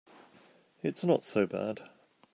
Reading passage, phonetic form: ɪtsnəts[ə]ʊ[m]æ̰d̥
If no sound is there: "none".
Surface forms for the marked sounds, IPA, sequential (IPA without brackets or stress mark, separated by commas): ə, b